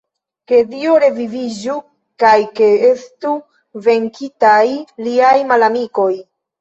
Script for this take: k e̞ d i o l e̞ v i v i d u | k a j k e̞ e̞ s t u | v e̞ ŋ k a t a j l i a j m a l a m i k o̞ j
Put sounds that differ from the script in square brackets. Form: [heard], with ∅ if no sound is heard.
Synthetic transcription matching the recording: k e̞ d i o [ɾ] e̞ v i v i [d͡ʒ] u | k a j k e̞ e̞ s t u | v e̞ ŋ k [i] t a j l i a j m a l a m i k o̞ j